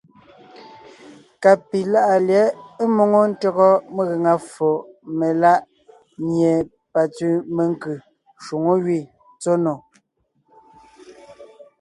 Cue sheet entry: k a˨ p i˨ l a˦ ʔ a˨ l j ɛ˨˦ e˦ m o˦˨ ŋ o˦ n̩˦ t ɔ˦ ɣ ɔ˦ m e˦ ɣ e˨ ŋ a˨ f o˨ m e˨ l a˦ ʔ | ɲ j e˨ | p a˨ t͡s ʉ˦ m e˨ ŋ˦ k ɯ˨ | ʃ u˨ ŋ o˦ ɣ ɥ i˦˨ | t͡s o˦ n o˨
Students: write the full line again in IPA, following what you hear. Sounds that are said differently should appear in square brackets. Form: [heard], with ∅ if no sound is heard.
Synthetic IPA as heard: k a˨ p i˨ l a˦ ʔ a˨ l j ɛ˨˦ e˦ m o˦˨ ŋ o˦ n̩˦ t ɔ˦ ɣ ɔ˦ m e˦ ɣ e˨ ŋ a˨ f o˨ m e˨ l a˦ ʔ | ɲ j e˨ | p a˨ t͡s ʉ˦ m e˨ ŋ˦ k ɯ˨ | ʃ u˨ ŋ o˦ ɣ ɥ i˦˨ | t͡s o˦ n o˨